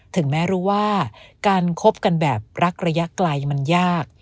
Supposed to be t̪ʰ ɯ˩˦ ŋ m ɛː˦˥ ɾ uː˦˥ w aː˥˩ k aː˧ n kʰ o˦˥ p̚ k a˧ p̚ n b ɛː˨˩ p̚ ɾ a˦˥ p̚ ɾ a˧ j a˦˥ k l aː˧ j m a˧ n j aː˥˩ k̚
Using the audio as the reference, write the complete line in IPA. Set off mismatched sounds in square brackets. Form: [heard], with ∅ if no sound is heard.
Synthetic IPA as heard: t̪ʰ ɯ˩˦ ŋ m ɛː˦˥ ɾ uː˦˥ w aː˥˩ k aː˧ n kʰ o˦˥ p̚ k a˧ [∅] n b ɛː˨˩ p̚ ɾ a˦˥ [k̚] ɾ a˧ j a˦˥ k l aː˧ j m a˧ n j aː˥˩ k̚